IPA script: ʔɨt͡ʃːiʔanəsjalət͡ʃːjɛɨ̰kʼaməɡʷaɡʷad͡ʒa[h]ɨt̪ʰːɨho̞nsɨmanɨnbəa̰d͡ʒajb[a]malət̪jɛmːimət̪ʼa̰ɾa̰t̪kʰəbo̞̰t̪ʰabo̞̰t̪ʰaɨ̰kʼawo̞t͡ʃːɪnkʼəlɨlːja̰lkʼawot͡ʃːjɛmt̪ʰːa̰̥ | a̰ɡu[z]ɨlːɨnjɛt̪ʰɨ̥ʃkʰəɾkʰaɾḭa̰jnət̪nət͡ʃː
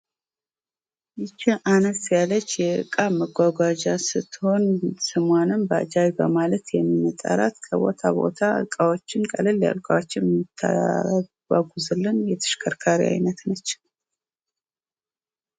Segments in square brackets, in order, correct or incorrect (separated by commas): incorrect, incorrect, correct